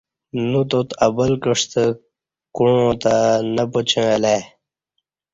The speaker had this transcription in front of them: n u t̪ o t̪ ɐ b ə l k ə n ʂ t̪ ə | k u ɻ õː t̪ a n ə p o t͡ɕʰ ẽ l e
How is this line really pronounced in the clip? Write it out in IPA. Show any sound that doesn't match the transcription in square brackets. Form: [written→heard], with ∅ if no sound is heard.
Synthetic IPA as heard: n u t̪ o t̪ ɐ b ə l k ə [n→∅] ʂ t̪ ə | k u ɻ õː t̪ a n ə p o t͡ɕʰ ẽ l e